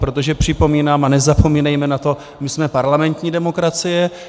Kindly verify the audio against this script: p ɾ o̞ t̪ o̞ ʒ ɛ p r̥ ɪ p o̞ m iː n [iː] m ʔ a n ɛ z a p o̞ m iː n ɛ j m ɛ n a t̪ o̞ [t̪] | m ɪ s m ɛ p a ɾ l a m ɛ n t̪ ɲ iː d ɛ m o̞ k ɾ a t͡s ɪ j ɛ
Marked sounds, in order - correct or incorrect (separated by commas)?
incorrect, incorrect